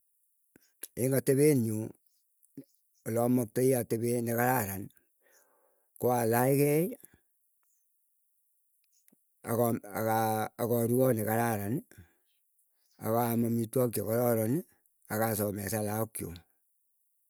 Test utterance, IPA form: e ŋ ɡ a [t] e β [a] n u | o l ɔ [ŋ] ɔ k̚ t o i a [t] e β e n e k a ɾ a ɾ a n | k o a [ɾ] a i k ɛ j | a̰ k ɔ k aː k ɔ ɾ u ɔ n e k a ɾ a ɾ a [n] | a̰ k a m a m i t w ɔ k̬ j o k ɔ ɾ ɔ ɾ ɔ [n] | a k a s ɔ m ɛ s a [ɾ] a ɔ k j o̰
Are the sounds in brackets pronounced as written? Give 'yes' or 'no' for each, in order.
yes, no, no, yes, no, yes, yes, no

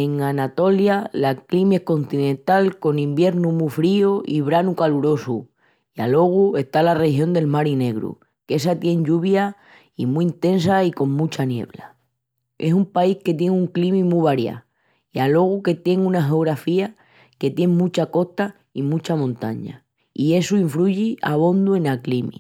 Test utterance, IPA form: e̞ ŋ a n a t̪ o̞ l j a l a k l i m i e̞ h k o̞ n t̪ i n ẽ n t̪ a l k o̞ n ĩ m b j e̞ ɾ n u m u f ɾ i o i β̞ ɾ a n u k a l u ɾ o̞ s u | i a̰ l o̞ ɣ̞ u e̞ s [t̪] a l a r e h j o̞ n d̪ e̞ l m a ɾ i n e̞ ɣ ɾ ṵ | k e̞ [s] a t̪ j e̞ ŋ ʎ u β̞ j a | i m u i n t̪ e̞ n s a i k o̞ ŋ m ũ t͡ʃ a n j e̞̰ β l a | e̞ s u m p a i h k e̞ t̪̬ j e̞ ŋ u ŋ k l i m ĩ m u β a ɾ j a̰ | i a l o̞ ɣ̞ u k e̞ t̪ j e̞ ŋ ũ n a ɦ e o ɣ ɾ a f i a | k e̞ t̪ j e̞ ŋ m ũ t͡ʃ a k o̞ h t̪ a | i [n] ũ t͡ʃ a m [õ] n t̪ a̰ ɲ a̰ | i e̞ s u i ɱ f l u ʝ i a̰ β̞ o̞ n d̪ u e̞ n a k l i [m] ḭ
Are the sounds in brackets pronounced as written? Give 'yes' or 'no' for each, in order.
yes, yes, no, yes, yes

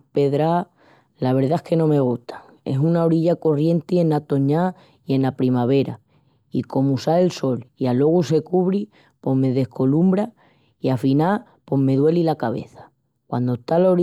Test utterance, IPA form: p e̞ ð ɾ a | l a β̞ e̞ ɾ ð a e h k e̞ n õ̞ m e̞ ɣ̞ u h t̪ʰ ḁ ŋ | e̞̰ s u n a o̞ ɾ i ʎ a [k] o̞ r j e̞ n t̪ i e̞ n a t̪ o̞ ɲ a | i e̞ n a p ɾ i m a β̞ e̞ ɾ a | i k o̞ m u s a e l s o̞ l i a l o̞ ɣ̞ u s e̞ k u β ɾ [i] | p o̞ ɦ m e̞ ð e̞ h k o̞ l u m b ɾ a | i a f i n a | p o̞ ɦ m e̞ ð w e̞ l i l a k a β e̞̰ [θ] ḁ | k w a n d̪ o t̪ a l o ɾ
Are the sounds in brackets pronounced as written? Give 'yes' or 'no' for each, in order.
yes, yes, yes

